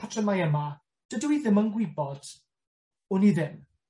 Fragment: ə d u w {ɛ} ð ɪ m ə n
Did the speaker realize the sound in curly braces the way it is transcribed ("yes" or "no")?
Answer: no